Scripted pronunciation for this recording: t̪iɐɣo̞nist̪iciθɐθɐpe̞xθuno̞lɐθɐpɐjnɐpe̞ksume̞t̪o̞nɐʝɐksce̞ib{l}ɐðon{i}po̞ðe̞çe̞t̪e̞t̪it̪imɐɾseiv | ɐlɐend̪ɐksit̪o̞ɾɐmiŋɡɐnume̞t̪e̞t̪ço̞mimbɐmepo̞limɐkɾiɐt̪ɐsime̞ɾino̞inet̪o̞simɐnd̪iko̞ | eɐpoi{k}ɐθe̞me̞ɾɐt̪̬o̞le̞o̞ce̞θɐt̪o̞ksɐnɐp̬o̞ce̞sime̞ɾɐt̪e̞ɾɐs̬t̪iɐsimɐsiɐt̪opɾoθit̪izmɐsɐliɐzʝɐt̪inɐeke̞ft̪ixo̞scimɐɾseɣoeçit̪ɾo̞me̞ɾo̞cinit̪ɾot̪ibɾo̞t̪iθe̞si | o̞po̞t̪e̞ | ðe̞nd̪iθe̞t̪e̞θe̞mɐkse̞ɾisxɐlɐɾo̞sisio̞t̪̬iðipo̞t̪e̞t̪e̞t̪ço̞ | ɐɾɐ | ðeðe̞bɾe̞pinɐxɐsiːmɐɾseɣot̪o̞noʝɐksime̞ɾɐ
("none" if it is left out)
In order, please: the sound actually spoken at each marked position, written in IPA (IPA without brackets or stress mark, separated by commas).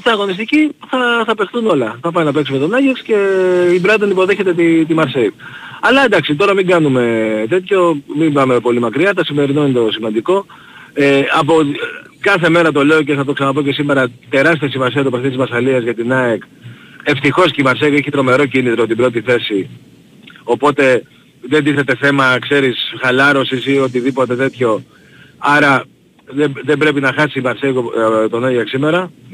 ɾ, i, k